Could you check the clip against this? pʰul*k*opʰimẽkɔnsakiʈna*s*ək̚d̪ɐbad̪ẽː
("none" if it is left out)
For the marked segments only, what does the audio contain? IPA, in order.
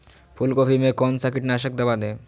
k, ʃ

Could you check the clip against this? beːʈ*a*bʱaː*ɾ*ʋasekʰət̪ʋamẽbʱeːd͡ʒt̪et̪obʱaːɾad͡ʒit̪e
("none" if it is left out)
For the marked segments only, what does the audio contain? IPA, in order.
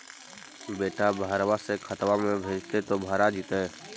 a, ɾ

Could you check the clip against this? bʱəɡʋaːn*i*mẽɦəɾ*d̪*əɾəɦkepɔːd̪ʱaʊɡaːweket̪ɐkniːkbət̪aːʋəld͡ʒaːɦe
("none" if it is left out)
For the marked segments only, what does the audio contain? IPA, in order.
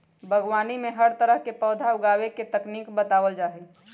i, t̪

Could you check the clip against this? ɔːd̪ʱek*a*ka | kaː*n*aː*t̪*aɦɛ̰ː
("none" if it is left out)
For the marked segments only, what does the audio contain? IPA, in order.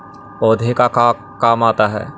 a, m, t̪

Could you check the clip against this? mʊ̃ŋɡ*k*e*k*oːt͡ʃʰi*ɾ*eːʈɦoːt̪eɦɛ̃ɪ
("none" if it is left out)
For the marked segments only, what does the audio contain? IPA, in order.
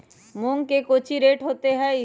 k, k, ɾ

